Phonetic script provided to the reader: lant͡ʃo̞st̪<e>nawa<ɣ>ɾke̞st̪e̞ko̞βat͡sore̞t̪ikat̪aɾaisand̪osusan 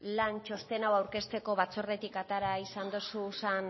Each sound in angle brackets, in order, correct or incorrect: correct, incorrect

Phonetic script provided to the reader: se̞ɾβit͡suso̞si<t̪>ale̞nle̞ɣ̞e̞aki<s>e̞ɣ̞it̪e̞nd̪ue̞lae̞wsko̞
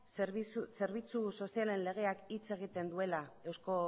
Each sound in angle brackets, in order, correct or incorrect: incorrect, incorrect

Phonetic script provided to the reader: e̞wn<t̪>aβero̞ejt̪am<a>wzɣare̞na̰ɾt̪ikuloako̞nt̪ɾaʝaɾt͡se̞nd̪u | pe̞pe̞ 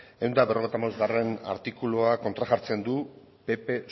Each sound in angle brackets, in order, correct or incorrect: incorrect, correct

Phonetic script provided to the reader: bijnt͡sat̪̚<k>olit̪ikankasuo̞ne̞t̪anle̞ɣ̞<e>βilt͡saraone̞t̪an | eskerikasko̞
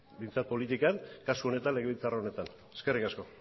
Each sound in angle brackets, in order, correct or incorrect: incorrect, correct

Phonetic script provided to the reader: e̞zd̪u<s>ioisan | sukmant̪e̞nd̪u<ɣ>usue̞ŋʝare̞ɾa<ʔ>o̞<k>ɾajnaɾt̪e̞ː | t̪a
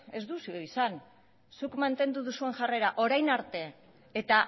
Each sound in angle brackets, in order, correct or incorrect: correct, incorrect, correct, incorrect

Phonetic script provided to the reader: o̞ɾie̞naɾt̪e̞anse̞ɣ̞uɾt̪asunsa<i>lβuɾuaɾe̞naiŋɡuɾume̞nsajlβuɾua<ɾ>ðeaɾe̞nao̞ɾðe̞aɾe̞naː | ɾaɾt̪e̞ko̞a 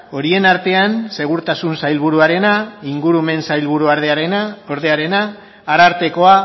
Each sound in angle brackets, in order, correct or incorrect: incorrect, correct

